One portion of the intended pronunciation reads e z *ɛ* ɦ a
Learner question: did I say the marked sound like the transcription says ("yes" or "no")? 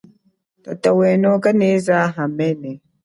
no